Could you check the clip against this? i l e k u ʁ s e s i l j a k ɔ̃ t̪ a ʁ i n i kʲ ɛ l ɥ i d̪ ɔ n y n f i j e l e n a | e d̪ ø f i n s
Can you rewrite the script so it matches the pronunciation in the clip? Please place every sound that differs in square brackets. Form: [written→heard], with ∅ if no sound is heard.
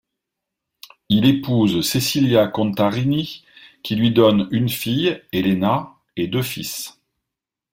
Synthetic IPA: i l e [k→p] u [ʁ→z] s e s i l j a k ɔ̃ t̪ a ʁ i n i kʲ [ɛ→i] l ɥ i d̪ ɔ n y n f i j e l e n a | e d̪ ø f i [n→∅] s